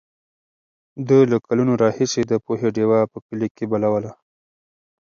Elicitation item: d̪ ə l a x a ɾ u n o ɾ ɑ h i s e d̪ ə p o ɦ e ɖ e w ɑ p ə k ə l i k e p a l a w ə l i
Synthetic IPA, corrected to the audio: d̪ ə l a k a l u n o ɾ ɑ h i s e d̪ ə p o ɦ e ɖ e w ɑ p ə k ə l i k e b a l a w ə l a